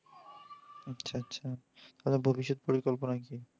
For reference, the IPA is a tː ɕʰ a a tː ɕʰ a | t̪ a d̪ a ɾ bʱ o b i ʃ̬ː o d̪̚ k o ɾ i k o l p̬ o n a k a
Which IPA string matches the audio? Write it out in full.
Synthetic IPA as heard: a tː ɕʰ a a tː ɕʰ a | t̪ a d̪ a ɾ bʱ o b i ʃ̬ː o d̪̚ p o ɾ i k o l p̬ o n a k i